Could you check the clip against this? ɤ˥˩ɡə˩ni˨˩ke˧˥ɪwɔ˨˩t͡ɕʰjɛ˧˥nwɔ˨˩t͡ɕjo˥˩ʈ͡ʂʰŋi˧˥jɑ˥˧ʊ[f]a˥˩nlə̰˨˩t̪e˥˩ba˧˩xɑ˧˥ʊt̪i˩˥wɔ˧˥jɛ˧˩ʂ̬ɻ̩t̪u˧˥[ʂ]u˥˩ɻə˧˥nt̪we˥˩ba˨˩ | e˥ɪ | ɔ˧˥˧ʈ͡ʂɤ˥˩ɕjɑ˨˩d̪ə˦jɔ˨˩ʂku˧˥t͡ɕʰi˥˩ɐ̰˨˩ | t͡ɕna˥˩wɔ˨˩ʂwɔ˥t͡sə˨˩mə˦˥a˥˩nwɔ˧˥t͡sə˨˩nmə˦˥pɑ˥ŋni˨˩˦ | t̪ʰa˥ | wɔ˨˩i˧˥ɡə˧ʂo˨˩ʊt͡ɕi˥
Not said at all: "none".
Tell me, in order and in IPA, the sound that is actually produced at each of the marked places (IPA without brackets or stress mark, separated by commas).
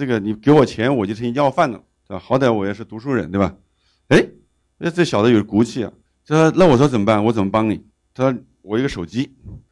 f, ʂ